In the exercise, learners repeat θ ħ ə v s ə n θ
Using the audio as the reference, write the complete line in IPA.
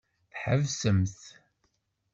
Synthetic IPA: θ ħ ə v s ə m θ